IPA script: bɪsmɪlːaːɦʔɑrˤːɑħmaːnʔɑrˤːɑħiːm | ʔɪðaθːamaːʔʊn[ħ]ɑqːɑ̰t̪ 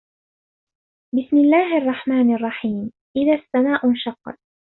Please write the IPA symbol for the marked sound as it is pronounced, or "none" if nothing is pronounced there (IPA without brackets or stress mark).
ʃ